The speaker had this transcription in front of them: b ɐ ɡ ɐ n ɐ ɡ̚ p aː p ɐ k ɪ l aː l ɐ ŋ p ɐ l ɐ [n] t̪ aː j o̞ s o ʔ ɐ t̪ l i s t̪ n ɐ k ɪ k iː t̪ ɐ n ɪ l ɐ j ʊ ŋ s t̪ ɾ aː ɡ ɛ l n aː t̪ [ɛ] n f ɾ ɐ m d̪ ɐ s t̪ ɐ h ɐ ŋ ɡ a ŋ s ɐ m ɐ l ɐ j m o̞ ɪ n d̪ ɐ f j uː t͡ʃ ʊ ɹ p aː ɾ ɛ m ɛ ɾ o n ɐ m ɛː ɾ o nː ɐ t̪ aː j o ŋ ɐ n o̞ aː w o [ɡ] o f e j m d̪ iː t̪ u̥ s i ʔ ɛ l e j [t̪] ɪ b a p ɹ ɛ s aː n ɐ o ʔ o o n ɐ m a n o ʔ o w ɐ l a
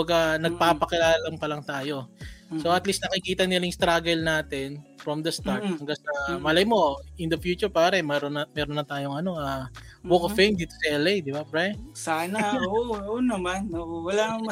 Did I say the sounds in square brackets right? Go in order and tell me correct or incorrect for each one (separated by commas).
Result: incorrect, correct, incorrect, incorrect